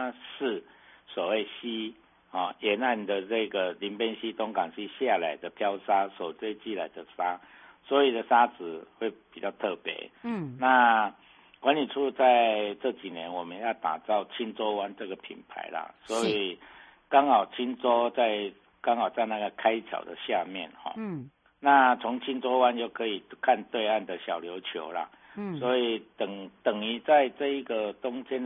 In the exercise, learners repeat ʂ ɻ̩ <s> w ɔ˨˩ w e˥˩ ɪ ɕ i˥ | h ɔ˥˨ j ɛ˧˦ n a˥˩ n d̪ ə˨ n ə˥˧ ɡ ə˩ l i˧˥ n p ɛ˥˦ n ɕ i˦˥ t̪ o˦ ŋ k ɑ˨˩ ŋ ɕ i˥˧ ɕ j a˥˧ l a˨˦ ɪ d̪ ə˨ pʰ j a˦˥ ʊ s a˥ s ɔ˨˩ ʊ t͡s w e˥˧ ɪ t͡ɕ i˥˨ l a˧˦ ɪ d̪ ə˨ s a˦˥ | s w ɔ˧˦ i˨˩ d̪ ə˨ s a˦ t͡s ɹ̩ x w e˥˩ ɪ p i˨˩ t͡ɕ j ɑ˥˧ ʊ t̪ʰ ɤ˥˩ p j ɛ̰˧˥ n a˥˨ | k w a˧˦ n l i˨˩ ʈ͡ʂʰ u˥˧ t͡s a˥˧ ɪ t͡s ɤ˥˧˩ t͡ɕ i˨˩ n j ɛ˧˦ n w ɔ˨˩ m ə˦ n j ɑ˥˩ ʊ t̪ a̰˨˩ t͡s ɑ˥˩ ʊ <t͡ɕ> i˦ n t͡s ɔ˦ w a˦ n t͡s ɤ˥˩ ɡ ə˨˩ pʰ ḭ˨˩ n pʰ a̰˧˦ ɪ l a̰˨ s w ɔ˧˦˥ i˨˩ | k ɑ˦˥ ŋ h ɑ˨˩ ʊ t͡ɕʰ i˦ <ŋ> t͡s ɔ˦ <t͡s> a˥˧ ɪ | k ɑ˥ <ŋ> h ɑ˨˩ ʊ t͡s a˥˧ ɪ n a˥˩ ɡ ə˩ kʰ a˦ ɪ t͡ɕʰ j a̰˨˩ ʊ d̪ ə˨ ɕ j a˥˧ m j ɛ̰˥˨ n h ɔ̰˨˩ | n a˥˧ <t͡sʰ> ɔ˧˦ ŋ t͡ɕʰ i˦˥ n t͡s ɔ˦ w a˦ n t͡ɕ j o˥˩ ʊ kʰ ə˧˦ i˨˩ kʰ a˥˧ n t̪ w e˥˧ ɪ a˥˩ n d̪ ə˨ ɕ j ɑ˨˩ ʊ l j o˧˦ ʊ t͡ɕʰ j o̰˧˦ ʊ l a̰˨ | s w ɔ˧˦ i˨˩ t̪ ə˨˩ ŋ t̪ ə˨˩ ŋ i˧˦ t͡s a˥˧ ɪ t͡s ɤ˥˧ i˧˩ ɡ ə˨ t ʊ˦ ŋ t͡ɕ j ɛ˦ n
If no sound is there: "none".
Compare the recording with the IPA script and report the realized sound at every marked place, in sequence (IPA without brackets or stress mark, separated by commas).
s, t͡ɕʰ, n, t͡s, ŋ, t͡sʰ